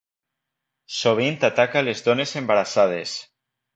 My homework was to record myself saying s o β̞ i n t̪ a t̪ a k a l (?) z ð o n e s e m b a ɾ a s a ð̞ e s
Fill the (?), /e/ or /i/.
e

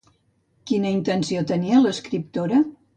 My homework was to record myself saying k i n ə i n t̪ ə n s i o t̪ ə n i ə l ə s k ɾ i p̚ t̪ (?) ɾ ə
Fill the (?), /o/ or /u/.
o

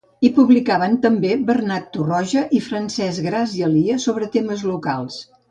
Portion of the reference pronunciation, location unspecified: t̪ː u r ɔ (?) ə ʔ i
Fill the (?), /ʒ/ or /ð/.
ʒ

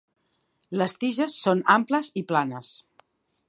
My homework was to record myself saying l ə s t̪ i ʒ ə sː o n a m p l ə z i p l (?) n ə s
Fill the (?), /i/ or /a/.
a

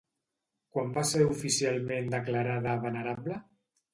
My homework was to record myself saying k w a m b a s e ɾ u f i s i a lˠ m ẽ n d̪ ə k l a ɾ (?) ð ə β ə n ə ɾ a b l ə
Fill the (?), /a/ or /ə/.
a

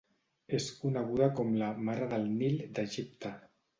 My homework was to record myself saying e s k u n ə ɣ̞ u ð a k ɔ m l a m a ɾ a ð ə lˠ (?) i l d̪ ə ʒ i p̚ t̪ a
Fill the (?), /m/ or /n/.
n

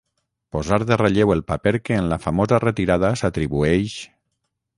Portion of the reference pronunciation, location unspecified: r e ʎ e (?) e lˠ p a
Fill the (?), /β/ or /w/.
w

